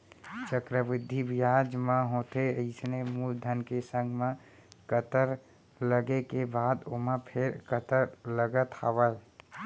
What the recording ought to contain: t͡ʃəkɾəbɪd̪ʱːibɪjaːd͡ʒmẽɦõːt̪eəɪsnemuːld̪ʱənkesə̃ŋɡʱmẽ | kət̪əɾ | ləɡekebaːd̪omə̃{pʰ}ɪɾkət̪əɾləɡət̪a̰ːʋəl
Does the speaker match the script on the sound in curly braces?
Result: yes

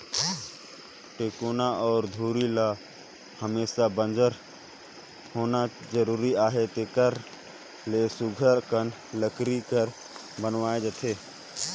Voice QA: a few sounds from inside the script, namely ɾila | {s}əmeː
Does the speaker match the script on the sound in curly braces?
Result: no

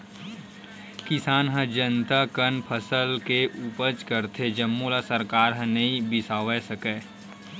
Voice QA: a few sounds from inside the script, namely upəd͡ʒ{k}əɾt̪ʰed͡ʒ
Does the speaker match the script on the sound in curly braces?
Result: yes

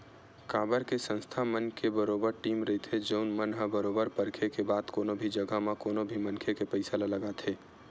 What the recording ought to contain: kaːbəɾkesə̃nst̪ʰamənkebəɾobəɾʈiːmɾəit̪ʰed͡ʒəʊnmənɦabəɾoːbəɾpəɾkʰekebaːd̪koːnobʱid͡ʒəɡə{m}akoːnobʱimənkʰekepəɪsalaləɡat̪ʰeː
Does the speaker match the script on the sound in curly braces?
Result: yes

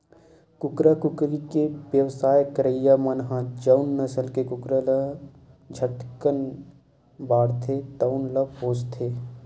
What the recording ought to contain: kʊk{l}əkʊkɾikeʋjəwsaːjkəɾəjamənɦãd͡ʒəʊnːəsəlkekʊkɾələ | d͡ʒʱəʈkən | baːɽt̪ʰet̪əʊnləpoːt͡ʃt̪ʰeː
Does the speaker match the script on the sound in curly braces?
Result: no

